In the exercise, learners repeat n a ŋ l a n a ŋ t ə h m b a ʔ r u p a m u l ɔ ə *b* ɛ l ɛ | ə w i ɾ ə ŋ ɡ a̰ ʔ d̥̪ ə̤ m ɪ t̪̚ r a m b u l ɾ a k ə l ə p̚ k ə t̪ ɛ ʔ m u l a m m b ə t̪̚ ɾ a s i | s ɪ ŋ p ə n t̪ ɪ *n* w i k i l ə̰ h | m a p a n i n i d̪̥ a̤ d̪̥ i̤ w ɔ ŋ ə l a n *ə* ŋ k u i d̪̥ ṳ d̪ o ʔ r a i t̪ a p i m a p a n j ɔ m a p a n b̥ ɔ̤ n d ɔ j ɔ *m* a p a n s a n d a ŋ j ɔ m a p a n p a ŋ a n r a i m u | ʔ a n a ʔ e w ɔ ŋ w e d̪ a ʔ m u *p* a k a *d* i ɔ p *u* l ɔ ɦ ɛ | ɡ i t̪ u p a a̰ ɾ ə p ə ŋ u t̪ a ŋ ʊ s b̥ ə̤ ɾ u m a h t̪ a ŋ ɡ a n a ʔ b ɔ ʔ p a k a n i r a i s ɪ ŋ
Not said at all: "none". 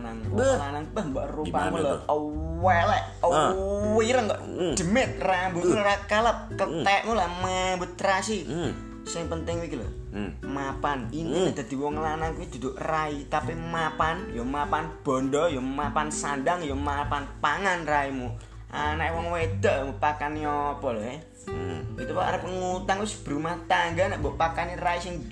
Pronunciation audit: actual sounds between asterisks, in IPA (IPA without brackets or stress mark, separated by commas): w, ŋ, a, m, p, n, ɔ